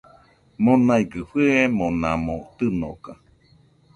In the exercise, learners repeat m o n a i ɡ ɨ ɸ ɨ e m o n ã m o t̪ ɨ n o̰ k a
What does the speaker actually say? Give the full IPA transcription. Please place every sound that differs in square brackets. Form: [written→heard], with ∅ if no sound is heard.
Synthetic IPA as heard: m o n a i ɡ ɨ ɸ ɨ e m o n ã m o t̪ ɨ n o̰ k a